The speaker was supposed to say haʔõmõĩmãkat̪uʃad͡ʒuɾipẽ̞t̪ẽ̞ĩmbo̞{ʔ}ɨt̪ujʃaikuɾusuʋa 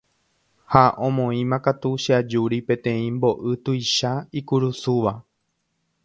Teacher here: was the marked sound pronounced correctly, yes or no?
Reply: yes